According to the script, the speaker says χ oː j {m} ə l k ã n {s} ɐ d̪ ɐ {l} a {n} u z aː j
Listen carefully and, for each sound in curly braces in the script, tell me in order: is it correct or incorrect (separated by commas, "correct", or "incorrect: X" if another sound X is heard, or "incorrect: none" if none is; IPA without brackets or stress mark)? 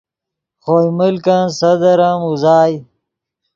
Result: correct, correct, incorrect: ɾ, incorrect: m